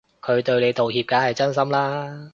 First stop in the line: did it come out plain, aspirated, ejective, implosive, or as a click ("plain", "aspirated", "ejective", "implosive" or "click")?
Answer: aspirated